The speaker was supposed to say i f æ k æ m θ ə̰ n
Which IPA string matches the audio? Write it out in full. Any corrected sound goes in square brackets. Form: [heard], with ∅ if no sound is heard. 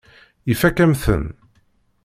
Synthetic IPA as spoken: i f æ k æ m θ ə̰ n